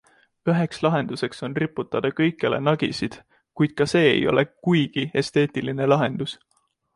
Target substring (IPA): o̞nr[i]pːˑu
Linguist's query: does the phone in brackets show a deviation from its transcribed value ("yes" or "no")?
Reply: no